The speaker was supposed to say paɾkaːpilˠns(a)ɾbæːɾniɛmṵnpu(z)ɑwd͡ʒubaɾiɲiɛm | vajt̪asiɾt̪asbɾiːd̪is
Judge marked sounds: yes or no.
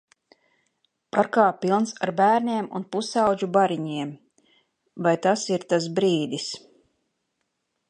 yes, no

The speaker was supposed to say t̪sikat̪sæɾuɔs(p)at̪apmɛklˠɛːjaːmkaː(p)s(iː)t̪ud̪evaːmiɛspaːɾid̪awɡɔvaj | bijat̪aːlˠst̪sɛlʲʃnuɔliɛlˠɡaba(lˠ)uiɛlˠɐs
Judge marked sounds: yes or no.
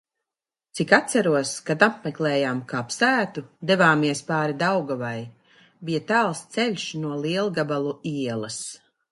no, yes, no, yes

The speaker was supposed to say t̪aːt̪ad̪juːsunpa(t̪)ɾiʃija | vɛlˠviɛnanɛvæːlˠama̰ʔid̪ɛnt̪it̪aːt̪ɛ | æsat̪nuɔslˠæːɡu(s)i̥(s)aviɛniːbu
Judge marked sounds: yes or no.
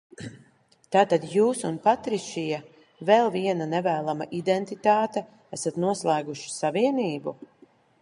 yes, no, yes

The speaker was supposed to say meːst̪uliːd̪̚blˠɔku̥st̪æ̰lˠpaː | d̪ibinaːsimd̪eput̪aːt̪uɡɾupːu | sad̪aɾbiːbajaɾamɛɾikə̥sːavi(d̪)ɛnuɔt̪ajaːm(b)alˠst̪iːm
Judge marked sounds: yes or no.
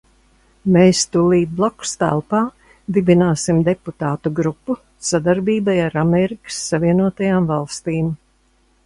no, no

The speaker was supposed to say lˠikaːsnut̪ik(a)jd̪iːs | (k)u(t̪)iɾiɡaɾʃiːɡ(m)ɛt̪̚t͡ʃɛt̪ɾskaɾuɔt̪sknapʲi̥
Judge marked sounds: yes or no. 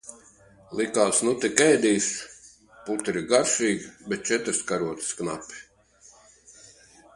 no, no, yes, no

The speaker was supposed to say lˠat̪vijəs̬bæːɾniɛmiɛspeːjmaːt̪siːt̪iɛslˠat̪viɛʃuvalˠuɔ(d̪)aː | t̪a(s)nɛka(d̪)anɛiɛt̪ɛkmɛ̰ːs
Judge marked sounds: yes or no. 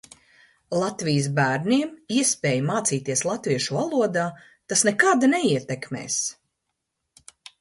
yes, yes, yes

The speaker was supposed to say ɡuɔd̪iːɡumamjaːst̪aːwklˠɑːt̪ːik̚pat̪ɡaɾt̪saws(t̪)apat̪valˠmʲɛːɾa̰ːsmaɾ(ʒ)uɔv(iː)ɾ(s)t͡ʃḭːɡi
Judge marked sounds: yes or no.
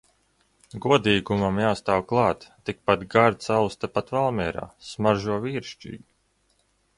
yes, yes, yes, no

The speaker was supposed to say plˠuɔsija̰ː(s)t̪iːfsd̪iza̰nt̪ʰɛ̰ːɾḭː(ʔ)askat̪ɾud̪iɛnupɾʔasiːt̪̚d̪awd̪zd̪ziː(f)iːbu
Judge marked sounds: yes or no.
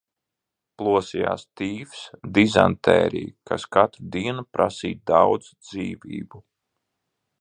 yes, no, no

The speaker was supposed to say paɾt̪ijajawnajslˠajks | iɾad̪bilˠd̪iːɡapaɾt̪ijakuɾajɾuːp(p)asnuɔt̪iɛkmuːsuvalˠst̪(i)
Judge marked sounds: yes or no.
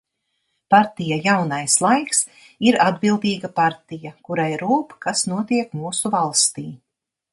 no, no

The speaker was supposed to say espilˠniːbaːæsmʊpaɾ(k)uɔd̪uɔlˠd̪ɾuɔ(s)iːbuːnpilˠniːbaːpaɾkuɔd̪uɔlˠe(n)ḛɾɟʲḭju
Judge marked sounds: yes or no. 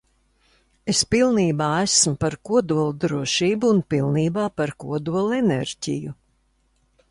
yes, no, yes

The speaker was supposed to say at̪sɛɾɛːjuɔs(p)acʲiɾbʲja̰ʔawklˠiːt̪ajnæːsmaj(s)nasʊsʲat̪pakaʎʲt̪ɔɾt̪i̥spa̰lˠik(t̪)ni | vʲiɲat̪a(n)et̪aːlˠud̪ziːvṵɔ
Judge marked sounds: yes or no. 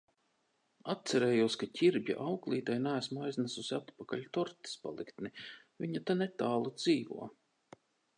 no, no, yes, yes

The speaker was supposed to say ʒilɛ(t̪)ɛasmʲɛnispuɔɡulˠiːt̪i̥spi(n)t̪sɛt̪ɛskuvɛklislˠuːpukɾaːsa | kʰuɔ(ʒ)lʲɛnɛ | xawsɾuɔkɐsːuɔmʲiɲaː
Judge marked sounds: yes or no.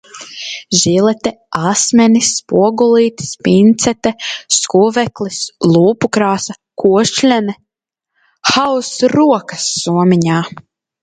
yes, yes, no

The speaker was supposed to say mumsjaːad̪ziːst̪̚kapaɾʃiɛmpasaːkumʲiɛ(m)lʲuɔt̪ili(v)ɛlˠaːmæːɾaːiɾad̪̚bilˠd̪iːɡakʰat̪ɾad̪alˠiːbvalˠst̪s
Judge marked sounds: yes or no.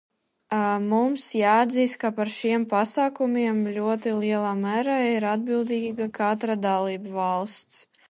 yes, no

